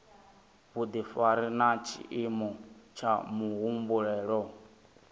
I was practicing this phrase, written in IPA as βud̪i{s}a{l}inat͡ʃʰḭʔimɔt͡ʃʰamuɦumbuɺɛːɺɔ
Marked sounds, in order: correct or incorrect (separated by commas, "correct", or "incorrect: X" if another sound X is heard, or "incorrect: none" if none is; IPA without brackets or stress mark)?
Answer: incorrect: f, incorrect: ɾ